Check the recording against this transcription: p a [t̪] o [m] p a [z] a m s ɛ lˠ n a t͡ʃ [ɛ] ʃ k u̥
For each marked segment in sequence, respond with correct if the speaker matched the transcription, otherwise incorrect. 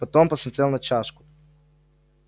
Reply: correct, correct, incorrect, incorrect

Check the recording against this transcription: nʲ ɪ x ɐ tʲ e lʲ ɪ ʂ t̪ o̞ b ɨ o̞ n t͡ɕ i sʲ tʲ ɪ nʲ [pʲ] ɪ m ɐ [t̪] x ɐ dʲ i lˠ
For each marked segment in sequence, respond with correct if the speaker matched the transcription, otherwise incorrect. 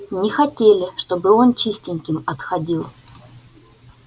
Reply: incorrect, correct

